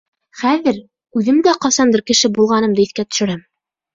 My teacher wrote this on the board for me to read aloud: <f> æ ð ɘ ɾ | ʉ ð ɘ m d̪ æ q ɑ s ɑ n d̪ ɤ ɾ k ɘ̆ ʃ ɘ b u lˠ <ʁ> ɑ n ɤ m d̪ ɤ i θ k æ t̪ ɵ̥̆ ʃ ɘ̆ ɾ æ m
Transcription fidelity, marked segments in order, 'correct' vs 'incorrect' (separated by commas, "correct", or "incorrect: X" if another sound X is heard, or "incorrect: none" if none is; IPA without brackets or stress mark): incorrect: χ, correct